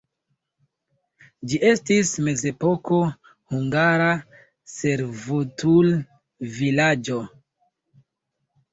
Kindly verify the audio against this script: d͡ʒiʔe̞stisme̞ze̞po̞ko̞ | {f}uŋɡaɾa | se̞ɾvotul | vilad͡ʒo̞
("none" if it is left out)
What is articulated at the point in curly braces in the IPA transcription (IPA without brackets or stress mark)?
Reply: h